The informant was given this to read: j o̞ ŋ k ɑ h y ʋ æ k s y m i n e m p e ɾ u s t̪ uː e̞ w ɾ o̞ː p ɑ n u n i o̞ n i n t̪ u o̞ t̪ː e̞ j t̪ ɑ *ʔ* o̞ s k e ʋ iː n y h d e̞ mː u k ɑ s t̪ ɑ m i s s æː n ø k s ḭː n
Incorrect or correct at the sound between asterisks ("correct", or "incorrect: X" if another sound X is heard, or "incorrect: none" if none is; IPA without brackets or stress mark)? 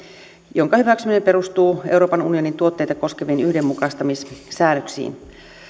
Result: incorrect: k